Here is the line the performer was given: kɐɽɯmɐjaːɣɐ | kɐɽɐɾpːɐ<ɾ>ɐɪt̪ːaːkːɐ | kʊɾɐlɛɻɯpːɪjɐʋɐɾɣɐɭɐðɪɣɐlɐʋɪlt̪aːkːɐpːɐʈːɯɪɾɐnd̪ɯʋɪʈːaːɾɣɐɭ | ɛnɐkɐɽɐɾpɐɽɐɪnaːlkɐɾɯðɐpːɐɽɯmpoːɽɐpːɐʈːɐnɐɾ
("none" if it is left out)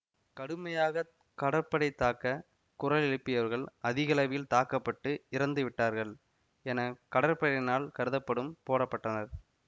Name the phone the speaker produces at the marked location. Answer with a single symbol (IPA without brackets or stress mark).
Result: ɽ